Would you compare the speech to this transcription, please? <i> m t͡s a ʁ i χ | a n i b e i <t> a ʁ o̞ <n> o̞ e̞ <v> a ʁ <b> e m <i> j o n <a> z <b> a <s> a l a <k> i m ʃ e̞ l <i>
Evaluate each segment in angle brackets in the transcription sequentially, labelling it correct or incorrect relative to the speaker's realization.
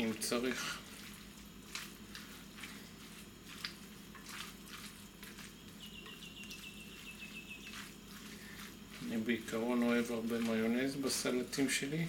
correct, incorrect: k, correct, correct, correct, incorrect: a, incorrect: e, correct, correct, incorrect: t, correct

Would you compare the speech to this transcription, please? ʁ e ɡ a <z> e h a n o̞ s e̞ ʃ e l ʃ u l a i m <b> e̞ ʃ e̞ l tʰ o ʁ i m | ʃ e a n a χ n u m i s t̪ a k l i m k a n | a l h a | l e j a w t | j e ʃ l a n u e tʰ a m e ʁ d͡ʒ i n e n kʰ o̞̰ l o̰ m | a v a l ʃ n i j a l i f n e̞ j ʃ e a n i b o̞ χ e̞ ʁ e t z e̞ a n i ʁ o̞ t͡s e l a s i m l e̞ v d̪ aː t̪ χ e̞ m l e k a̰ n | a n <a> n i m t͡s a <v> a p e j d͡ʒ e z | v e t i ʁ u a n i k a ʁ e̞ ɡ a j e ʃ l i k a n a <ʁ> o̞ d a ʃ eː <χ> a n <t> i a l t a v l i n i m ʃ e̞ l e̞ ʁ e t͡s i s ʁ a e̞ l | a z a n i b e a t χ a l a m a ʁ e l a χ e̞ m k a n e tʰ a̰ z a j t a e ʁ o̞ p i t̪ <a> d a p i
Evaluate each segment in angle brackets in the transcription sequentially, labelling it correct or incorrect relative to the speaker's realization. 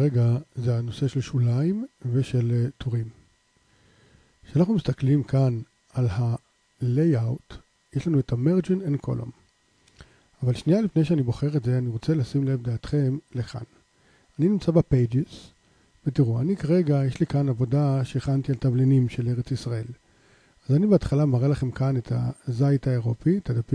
correct, incorrect: v, incorrect: i, incorrect: b, incorrect: v, correct, correct, correct

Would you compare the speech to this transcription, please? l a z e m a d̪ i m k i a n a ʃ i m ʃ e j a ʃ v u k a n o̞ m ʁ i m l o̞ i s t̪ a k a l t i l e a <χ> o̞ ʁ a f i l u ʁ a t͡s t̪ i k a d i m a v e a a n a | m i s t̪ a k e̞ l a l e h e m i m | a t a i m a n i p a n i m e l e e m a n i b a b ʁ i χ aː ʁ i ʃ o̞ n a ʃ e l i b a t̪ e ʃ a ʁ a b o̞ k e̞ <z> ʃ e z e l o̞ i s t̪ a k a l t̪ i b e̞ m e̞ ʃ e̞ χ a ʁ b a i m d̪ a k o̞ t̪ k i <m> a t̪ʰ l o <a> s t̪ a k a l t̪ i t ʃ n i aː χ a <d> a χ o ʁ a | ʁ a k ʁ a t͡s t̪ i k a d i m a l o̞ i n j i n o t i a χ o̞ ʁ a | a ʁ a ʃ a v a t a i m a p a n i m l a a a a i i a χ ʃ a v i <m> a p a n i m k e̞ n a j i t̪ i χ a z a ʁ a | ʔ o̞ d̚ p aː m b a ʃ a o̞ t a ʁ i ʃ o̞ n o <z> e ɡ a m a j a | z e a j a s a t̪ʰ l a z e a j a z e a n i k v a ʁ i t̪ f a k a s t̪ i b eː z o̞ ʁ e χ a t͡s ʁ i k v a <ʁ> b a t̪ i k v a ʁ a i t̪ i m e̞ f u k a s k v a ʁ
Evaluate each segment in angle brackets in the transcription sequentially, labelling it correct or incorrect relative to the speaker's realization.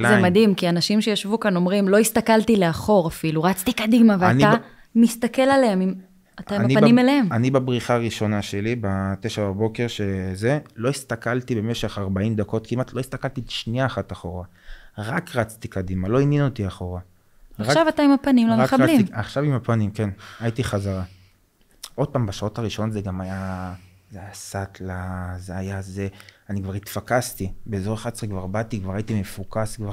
correct, incorrect: ʁ, correct, incorrect: i, incorrect: t, correct, correct, correct

